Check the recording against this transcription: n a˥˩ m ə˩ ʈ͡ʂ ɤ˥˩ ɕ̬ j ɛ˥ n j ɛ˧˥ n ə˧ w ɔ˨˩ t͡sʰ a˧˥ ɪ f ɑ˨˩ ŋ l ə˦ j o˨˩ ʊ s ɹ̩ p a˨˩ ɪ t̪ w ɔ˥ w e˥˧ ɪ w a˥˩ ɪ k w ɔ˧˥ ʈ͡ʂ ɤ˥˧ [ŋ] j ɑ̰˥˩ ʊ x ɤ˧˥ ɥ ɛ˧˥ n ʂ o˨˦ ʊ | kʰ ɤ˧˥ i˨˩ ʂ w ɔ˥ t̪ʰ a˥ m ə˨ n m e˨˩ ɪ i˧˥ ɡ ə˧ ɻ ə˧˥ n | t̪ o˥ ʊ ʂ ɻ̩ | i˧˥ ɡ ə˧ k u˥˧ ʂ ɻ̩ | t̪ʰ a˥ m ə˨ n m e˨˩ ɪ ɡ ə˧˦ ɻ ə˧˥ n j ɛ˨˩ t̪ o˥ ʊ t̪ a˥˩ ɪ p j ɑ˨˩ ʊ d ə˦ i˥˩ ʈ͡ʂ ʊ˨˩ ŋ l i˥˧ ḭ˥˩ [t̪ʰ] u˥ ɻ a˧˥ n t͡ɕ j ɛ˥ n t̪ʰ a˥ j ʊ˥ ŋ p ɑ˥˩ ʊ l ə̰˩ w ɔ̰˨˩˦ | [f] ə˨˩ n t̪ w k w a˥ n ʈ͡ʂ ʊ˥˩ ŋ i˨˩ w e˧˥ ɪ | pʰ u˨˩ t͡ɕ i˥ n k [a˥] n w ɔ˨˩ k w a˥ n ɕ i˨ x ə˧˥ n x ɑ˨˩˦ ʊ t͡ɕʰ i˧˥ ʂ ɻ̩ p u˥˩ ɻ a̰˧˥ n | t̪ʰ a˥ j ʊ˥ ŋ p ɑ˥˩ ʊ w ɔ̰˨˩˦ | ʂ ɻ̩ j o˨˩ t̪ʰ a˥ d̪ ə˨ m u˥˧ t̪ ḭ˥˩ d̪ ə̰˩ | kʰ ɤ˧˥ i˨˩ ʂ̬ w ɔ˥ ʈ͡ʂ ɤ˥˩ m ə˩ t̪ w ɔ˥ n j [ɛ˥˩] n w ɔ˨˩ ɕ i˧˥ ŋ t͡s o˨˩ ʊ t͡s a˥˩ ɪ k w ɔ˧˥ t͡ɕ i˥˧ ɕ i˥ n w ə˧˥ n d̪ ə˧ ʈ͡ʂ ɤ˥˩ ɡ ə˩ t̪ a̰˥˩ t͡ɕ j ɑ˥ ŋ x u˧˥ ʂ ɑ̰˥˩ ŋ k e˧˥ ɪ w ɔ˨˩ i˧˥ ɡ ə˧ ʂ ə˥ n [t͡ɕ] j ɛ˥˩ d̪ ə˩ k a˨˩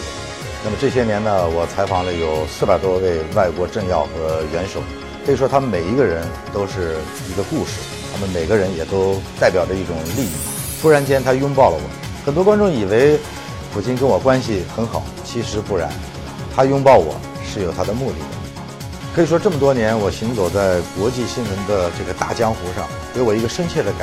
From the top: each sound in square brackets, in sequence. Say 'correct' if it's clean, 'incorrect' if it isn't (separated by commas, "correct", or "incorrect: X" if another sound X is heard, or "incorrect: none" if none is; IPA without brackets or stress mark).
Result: correct, correct, incorrect: x, incorrect: ə˥, incorrect: ɛ˧˥, incorrect: t͡ɕʰ